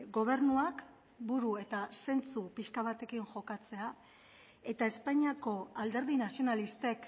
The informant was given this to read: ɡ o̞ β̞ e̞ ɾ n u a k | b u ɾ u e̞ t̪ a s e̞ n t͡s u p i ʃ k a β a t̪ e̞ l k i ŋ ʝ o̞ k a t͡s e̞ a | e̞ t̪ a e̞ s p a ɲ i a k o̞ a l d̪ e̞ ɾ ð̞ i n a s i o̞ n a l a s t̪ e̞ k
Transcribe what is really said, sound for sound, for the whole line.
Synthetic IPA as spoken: ɡ o̞ β̞ e̞ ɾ n u a k | b u ɾ u e̞ t̪ a s e̞ n t͡s u p i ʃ k a β a t̪ e̞ k i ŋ ʝ o̞ k a t͡s e̞ a | e̞ t̪ a e̞ s p a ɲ i a k o̞ a l d̪ e̞ ɾ ð̞ i n a s i o̞ n a l i s t̪ e̞ k